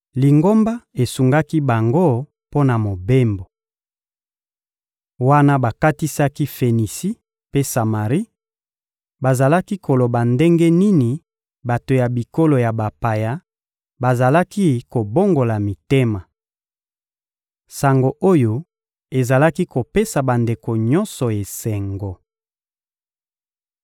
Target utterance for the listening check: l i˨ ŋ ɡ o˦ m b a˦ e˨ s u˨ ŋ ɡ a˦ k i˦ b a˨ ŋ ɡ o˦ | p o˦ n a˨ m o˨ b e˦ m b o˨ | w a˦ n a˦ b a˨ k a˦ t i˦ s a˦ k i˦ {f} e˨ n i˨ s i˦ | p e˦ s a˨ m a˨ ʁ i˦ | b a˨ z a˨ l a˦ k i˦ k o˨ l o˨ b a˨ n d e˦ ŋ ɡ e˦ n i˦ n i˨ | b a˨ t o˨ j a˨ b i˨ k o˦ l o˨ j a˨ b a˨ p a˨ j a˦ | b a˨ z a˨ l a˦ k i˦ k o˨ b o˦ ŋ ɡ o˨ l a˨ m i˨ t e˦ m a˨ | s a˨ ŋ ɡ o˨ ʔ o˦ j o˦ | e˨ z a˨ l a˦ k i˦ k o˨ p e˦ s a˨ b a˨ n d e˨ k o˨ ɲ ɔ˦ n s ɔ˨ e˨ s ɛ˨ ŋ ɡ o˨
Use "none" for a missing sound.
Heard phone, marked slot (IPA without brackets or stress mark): f